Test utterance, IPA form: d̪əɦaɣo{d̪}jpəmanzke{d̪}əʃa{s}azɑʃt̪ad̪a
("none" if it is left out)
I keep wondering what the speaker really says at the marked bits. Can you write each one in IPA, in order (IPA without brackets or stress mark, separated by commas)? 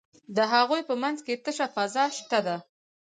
none, t̪, f